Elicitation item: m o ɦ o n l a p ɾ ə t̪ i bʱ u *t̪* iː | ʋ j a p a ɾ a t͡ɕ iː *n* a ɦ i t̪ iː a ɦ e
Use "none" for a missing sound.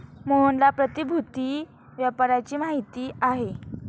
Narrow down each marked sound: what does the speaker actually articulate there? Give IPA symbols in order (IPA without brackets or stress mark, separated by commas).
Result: t̪, m